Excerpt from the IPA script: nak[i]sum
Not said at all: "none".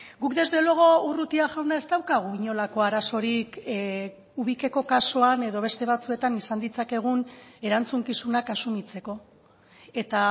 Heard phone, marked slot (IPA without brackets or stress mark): a